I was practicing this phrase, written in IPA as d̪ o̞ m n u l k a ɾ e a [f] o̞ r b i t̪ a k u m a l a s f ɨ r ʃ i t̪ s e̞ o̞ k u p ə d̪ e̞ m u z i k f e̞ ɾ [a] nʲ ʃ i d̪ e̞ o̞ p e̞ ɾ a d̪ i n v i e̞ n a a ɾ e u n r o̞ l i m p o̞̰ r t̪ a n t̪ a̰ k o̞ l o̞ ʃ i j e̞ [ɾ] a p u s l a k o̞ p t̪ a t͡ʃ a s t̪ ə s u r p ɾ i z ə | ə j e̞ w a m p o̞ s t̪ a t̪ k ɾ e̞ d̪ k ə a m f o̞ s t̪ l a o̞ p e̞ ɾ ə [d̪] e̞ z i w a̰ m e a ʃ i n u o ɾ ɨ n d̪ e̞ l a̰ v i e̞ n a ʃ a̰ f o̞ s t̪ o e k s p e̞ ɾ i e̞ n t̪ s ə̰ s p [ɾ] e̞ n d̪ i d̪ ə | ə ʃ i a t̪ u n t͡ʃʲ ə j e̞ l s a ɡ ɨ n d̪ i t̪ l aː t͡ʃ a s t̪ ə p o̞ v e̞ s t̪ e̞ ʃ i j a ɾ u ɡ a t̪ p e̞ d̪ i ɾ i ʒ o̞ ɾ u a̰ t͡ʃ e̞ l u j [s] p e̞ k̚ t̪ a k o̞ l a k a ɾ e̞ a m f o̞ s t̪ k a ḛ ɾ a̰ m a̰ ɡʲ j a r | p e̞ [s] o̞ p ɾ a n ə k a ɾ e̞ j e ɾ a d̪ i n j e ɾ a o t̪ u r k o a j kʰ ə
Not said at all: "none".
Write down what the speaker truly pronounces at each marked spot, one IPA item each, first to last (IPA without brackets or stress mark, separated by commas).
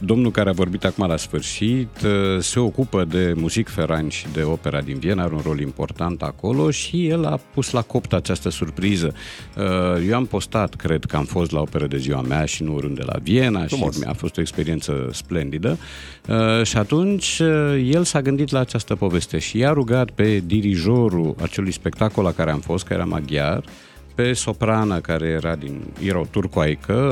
v, a, l, d̪, l, s, s